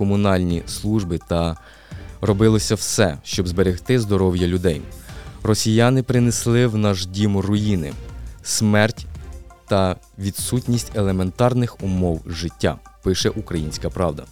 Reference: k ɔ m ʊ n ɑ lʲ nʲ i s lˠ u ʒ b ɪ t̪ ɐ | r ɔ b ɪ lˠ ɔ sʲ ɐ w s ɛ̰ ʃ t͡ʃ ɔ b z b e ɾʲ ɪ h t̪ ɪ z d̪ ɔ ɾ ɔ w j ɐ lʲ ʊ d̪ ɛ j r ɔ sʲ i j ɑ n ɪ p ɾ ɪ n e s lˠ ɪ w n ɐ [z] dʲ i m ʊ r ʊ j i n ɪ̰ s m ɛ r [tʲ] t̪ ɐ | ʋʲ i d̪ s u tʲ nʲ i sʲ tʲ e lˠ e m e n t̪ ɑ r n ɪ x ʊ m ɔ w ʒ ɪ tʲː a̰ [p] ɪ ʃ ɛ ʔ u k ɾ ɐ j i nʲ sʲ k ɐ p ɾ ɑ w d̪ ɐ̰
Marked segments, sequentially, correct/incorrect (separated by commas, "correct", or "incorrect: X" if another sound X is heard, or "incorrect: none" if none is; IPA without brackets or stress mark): incorrect: ʒ, correct, correct